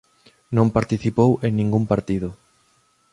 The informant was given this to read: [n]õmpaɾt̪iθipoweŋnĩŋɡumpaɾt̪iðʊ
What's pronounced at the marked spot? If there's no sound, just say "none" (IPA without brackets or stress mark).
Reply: n